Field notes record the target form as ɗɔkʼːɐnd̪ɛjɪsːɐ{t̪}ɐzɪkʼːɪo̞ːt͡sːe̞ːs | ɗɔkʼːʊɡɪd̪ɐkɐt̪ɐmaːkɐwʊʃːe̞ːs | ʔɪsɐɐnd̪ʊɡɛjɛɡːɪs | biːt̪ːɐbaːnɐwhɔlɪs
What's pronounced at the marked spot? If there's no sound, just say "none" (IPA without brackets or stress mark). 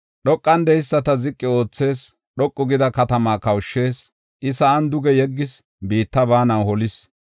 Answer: t̪